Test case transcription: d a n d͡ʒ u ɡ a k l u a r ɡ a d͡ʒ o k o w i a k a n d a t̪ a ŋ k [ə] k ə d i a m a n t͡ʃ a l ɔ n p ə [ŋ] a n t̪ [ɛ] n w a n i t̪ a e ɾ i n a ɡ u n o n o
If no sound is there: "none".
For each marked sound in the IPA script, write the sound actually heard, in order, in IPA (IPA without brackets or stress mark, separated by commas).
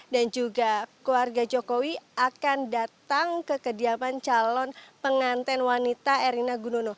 ə, ŋ, ɛ